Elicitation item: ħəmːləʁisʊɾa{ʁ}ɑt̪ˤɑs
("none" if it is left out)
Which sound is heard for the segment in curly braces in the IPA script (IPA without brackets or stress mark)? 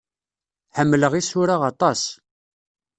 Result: ʁ